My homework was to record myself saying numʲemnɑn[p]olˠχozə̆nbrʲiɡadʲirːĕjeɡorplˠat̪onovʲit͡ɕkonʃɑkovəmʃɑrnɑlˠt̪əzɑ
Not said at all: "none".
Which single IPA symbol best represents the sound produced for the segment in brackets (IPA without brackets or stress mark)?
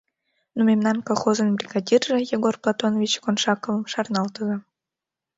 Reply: k